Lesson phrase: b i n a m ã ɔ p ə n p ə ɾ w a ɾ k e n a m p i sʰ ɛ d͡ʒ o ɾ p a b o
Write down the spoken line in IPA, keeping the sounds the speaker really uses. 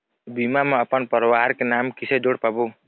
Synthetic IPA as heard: b i m a m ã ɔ p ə n p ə ɾ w a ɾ k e n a m k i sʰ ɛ d͡ʒ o ɽ p a b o